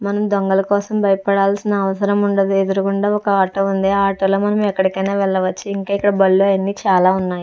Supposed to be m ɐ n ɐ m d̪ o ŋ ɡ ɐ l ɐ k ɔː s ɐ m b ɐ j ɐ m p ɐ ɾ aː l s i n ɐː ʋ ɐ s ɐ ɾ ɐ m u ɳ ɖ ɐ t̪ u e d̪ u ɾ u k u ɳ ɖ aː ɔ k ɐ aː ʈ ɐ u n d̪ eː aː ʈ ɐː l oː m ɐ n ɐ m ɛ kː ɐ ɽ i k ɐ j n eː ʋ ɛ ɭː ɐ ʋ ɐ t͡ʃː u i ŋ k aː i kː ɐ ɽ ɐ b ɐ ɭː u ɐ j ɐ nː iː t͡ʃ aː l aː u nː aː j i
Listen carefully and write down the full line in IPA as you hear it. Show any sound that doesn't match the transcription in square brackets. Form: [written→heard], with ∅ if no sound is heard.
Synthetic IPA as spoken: m ɐ n ɐ m d̪ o ŋ ɡ ɐ l ɐ k ɔː s ɐ m b ɐ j ɐ [m→∅] p ɐ [ɾ→ɽ] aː l s i n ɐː ʋ ɐ s ɐ ɾ ɐ m u ɳ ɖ ɐ [t̪→d̪] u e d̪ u ɾ u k u ɳ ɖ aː ɔ k ɐ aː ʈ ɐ u n d̪ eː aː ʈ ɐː l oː m ɐ n ɐ m ɛ kː ɐ ɽ i k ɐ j n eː ʋ ɛ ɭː ɐ ʋ ɐ t͡ʃː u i ŋ k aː i kː ɐ ɽ ɐ b ɐ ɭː u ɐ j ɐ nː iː t͡ʃ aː l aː u nː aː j i